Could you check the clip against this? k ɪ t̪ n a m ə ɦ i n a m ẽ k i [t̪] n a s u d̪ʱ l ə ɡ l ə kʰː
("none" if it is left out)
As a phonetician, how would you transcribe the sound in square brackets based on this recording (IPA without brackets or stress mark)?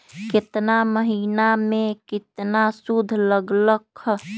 t̪